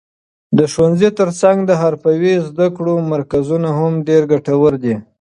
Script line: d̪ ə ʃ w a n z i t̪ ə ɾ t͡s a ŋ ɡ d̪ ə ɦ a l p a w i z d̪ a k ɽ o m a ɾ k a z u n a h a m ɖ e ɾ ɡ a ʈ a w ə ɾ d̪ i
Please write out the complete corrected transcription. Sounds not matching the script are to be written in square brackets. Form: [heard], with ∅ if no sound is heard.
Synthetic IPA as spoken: d̪ ə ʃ w a n z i t̪ ə ɾ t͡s a ŋ ɡ d̪ ə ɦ a [ɾ] p a w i z d̪ a k ɽ o m a ɾ k a z u n a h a m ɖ e ɾ ɡ a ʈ a w ə ɾ d̪ i